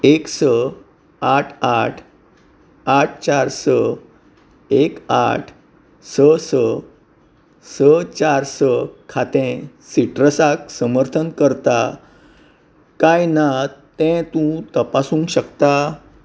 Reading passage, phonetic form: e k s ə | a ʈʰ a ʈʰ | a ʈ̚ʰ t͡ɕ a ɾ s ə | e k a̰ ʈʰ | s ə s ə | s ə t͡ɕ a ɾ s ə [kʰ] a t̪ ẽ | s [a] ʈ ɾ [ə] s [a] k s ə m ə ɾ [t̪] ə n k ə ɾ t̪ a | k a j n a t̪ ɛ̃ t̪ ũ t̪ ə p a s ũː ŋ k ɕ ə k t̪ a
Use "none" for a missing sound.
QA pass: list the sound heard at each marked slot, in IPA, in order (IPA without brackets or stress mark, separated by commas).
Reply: kʰ, i, ə, a, t̪ʰ